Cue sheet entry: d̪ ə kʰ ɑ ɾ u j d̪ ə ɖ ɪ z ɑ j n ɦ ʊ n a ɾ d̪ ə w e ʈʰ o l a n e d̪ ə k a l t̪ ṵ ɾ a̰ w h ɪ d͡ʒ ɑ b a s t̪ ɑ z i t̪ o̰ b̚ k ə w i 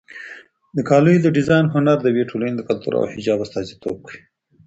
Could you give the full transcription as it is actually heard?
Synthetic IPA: d̪ ə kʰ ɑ l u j d̪ ə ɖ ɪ z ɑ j n ɦ ʊ n a ɾ d̪ ə w e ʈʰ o l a n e d̪ ə k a l t̪ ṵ ɾ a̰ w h ɪ d͡ʒ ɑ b a s t̪ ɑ z i t̪ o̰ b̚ k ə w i